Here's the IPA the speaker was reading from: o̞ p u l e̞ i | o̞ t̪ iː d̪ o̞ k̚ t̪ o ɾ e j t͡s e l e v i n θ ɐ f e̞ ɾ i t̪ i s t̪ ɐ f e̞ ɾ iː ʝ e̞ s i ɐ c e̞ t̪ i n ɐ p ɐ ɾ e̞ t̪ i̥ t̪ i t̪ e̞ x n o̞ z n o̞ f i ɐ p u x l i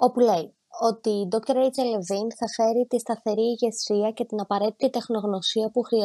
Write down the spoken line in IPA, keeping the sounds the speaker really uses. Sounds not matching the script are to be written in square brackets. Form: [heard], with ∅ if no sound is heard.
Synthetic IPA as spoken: o̞ p u l e̞ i | o̞ t̪ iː d̪ o̞ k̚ t̪ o ɾ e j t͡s e l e v i n θ ɐ f e̞ ɾ i t̪ i s t̪ ɐ [θ] e̞ ɾ iː ʝ e̞ s i ɐ c e̞ t̪ i n ɐ p ɐ ɾ e̞ t̪ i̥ t̪ i t̪ e̞ x n o̞ [ɣ] n o̞ [s] i ɐ p u x [ɾ] i